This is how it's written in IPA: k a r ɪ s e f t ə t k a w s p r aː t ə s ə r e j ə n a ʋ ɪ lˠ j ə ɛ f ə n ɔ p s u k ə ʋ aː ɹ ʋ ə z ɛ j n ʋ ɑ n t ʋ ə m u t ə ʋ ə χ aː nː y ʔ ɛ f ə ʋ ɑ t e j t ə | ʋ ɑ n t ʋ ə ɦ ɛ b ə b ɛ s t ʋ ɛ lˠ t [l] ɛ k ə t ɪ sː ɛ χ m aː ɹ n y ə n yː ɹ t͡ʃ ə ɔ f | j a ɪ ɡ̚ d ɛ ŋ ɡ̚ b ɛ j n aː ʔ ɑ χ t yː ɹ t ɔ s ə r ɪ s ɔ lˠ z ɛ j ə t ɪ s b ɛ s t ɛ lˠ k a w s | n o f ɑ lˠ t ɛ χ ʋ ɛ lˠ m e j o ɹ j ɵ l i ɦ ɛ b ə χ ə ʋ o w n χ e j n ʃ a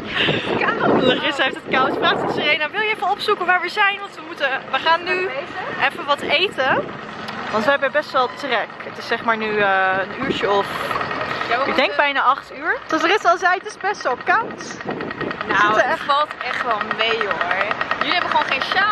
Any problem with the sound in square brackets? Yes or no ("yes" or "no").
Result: yes